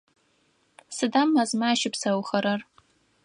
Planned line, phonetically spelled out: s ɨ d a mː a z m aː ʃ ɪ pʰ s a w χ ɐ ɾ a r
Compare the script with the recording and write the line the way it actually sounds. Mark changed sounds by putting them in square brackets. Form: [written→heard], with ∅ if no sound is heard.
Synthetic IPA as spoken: s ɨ d a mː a z m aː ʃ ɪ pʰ s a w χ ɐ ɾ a r